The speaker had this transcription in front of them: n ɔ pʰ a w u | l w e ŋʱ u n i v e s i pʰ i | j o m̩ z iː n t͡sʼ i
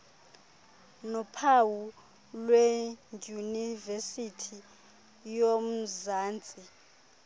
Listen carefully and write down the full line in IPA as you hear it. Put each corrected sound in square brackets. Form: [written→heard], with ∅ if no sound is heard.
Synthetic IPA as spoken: n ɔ pʰ a w u | l w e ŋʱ u n i v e s i [pʰ→tʰ] i | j o m̩ z [iː→aː] n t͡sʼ i